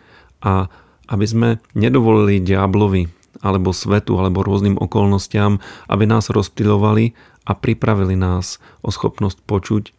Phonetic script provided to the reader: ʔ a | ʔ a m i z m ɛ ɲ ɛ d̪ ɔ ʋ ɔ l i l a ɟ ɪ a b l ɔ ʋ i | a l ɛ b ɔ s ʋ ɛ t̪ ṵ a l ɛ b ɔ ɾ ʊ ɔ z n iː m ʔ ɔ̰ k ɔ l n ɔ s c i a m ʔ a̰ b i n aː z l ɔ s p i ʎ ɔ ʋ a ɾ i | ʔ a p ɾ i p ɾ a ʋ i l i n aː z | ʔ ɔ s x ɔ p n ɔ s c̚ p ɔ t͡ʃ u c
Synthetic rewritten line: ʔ a | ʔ a b i z m ɛ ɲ ɛ d̪ ɔ ʋ ɔ l i l i ɟ ɪ a b l ɔ ʋ i | a l ɛ b ɔ s ʋ ɛ t̪ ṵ a l ɛ b ɔ ɾ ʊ ɔ z n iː m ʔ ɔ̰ k ɔ l n ɔ s c ɪ a m ʔ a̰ b i n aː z ɾ ɔ s p i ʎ ɔ ʋ a l i | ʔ a p ɾ i p ɾ a ʋ i l i n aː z | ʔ ɔ s x ɔ p n ɔ s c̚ p ɔ t͡ʃ u c